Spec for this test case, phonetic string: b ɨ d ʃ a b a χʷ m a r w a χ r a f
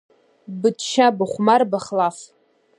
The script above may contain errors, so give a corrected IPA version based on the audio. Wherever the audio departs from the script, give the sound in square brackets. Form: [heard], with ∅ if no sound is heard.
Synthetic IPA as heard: b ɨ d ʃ a b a χʷ m a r [b] a χ [l] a f